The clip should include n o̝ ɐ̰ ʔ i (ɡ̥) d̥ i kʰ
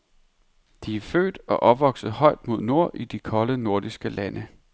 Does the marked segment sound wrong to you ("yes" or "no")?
yes